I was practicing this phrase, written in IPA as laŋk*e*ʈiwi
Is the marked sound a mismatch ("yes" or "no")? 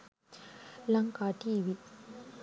yes